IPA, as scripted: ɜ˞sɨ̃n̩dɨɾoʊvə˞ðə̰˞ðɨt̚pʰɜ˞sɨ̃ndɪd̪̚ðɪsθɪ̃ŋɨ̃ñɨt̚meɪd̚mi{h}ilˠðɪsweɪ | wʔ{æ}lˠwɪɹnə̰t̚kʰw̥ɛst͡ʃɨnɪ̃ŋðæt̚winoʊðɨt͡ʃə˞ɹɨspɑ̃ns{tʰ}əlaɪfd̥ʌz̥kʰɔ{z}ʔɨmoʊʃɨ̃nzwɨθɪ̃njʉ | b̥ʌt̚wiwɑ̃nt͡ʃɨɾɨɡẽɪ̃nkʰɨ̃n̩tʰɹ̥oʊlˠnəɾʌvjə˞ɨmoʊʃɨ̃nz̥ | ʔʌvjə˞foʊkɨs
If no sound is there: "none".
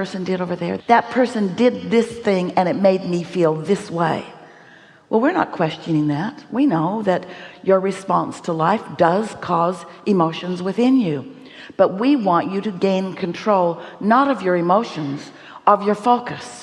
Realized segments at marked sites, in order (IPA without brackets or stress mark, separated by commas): f, ɛ, tʰ, z